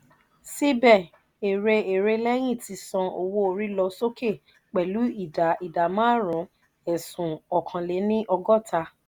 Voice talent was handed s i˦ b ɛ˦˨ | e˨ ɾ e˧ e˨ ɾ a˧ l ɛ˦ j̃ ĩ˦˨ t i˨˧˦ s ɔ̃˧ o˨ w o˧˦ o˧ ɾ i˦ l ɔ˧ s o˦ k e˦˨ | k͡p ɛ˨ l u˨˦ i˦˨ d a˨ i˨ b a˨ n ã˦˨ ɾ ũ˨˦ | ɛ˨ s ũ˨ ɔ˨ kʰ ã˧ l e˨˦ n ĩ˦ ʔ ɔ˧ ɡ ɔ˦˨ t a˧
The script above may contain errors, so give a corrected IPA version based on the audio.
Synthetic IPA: s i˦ b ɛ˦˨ | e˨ ɾ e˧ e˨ ɾ e˧ l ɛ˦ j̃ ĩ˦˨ t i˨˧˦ s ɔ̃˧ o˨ w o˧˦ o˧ ɾ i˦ l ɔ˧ s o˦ k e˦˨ | k͡p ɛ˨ l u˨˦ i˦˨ d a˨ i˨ d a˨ m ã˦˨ ɾ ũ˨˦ | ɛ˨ s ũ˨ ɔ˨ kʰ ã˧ l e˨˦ n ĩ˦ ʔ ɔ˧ ɡ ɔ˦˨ t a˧